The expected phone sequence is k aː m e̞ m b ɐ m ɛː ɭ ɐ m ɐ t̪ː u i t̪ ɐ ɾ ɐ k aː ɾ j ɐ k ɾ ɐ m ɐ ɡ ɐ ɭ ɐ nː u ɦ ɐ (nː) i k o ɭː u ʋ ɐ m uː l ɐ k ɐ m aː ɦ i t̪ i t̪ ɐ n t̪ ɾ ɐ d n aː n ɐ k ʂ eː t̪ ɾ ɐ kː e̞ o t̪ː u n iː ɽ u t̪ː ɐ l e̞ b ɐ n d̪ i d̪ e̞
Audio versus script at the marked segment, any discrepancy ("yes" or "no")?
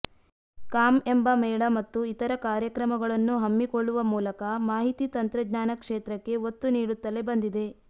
yes